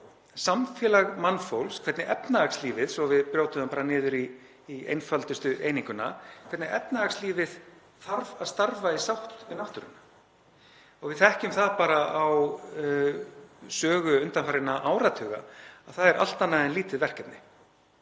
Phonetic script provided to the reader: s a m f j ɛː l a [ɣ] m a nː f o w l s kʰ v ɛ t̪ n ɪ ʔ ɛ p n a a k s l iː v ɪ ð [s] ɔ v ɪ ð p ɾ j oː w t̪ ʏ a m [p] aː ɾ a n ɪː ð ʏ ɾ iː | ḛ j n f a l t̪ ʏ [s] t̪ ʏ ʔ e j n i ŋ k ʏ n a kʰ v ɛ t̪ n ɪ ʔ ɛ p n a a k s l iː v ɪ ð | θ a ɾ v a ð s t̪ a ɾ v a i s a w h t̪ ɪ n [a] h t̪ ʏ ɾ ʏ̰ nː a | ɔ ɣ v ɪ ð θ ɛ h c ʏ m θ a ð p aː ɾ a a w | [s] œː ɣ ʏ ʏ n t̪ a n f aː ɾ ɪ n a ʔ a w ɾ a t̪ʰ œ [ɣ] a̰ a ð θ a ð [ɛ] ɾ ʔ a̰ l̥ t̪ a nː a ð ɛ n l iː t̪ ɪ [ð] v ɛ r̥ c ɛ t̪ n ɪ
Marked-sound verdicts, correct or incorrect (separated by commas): correct, correct, correct, correct, correct, correct, correct, correct, correct